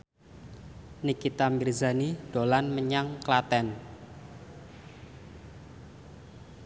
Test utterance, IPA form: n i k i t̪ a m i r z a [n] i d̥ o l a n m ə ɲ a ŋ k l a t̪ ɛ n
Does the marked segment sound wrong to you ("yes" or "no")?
no